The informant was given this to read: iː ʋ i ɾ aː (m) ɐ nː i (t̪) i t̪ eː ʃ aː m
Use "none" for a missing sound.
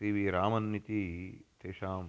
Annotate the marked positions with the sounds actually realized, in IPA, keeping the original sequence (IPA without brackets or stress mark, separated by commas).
m, t̪